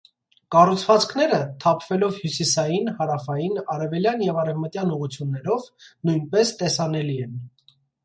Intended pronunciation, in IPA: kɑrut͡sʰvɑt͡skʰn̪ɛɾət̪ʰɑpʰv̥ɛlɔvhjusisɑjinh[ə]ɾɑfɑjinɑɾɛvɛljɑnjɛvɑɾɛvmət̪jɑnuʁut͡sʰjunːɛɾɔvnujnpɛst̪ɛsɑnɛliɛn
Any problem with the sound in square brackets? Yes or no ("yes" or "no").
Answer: yes